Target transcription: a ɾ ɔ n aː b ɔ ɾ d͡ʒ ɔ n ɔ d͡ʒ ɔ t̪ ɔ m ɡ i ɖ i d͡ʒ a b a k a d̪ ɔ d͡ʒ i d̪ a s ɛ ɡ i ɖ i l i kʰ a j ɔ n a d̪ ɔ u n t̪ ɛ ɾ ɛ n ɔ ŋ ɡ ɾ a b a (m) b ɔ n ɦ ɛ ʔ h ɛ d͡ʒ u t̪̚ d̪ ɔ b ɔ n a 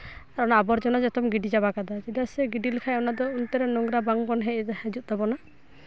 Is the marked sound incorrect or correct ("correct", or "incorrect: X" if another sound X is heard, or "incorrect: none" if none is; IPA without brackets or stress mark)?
incorrect: ŋ